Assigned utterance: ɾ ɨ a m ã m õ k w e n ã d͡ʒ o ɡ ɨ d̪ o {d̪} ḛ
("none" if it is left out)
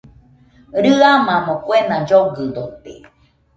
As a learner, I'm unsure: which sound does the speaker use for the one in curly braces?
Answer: t̪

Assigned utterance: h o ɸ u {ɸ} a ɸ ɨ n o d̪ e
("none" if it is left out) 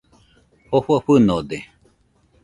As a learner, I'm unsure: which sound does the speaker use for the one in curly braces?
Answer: none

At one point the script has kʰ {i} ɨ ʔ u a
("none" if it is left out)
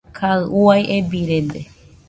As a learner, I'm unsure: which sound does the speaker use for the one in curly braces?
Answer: a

